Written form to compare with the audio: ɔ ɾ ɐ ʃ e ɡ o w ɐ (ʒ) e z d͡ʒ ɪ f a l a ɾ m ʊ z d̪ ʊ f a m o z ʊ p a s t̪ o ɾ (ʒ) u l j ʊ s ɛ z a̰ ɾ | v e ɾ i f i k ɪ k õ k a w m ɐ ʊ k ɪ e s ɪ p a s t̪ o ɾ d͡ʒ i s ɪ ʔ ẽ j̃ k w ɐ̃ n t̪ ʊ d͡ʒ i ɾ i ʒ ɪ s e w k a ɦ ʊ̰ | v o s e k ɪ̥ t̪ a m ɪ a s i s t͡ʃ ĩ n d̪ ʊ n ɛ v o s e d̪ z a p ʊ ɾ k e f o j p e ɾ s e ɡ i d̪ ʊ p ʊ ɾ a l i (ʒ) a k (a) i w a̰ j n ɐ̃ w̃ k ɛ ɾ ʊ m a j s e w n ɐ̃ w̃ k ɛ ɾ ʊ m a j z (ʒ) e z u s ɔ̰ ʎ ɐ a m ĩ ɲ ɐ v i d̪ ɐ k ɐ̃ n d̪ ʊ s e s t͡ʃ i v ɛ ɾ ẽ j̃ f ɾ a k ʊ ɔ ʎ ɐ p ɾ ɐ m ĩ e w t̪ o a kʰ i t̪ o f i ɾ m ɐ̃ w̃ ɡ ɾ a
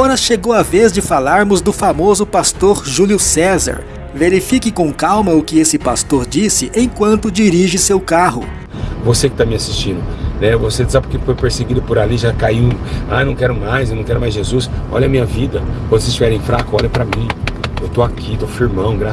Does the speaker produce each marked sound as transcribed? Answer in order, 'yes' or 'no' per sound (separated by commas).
no, yes, yes, yes, yes